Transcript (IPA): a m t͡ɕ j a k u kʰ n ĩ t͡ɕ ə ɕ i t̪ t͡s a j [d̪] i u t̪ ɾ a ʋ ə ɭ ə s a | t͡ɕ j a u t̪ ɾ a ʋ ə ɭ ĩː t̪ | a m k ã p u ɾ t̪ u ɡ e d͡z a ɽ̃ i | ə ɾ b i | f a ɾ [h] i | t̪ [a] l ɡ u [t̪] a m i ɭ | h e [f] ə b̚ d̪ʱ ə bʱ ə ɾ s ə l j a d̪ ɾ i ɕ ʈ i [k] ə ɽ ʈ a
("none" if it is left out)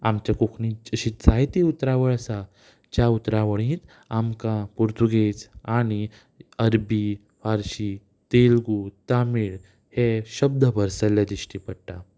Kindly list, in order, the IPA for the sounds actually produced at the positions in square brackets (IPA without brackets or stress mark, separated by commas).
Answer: t̪, ɕ, e, t̪, ɕ, p